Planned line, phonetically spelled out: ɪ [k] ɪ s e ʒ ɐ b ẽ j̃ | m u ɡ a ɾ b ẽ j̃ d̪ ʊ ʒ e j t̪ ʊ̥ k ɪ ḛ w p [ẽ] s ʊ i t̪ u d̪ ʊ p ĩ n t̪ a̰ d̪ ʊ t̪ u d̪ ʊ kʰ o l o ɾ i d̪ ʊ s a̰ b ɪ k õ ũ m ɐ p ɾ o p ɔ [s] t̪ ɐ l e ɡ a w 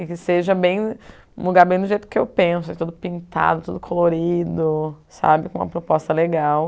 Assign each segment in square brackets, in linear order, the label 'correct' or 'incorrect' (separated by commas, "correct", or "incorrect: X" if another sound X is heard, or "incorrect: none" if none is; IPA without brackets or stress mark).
correct, correct, correct